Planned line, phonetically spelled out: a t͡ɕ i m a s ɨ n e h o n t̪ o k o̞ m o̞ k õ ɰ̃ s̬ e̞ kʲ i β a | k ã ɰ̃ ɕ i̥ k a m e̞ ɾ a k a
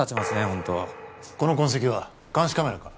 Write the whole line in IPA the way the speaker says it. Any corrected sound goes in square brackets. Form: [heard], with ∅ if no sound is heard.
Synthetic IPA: a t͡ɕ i m a s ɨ n e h [õ] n t̪ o k o̞ [n] o̞ k õ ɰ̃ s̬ e̞ kʲ i β a | k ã ɰ̃ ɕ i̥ k a m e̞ ɾ a k a